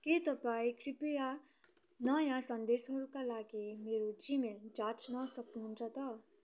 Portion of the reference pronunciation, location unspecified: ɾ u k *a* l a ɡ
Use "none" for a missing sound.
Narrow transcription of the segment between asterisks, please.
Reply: a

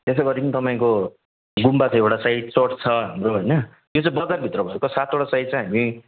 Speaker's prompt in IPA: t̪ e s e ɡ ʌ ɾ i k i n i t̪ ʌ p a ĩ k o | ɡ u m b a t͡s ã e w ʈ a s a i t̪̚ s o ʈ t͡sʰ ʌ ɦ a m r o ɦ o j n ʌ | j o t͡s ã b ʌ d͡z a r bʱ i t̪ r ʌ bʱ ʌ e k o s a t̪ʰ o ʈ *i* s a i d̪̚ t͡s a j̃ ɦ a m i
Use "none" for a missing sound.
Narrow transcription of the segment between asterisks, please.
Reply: a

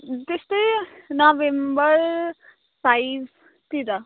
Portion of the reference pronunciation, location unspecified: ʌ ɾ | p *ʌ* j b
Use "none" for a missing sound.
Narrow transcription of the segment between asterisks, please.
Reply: a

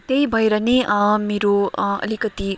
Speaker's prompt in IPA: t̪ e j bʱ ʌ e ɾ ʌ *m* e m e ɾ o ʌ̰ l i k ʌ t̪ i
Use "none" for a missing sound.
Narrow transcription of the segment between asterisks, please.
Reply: n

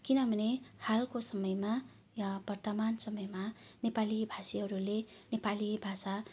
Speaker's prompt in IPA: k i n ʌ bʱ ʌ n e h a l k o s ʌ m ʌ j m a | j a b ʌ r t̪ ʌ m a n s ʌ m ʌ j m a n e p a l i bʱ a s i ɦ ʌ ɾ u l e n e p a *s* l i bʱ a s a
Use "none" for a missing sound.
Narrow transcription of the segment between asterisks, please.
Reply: none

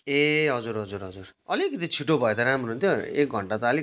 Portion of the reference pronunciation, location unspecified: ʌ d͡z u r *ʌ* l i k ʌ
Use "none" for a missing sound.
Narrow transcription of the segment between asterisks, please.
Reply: ʌ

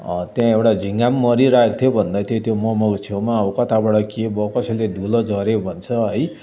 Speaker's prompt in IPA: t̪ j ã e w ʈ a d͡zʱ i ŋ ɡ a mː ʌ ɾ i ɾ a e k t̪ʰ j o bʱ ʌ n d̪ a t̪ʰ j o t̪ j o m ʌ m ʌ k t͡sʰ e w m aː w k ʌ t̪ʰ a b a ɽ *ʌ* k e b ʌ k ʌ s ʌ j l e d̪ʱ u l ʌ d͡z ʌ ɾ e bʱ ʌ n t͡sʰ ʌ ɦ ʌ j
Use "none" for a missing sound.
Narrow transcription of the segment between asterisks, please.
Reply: ʌ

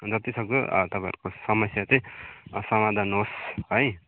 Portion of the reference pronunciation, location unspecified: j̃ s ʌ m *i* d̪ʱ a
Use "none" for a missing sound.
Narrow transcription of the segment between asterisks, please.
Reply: a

